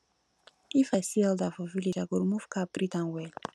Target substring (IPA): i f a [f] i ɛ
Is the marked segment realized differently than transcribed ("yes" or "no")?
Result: yes